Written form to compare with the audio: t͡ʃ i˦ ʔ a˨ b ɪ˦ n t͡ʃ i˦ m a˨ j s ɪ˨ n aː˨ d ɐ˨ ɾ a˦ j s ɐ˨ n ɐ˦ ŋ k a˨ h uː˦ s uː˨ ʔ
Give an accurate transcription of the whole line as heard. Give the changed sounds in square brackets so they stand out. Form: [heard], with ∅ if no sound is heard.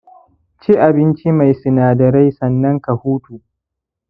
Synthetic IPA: t͡ʃ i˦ ʔ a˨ b ɪ˦ n t͡ʃ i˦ m a˨ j s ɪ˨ n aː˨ d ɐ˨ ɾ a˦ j s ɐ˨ [nː] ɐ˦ ŋ k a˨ h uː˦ [t] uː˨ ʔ